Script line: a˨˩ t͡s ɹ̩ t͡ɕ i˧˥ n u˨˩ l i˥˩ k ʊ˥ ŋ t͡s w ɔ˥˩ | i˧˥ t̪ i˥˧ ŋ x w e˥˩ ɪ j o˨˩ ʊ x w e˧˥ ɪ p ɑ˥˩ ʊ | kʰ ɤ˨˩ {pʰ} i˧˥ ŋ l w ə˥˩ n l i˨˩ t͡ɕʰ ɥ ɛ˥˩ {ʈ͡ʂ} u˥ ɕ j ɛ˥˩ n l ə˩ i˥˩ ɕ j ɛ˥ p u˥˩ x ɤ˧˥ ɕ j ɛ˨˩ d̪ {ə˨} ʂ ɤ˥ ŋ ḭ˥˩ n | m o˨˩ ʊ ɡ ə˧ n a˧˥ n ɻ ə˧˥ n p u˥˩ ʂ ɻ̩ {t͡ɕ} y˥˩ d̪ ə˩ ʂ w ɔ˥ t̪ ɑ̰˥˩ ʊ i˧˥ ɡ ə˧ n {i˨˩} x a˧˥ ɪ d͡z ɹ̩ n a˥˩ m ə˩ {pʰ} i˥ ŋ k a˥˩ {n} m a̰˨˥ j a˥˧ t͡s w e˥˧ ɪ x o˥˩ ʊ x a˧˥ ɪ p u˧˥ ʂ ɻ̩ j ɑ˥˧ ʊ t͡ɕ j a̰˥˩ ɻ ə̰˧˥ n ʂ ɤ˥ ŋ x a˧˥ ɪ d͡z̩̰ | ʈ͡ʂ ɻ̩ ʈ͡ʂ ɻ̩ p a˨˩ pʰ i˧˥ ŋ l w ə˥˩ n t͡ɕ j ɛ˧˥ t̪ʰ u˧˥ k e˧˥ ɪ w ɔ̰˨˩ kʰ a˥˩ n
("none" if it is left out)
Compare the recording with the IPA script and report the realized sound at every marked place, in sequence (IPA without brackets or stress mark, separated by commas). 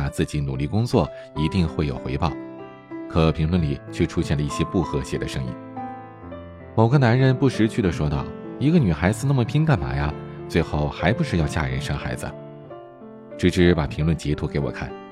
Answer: pʰ, ʈ͡ʂʰ, ə˦, t͡ɕʰ, y˨˩, pʰ, n